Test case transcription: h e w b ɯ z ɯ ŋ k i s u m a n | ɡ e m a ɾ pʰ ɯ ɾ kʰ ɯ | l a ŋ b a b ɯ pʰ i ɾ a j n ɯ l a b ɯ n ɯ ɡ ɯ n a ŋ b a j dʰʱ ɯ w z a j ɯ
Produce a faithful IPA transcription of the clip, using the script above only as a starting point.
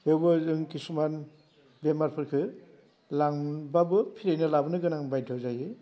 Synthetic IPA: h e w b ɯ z ɯ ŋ k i s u m a n | b e m a ɾ pʰ ɯ ɾ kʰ ɯ | l a ŋ b a b ɯ pʰ i ɾ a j n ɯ l a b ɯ n ɯ ɡ ɯ n a ŋ b a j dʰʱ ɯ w z a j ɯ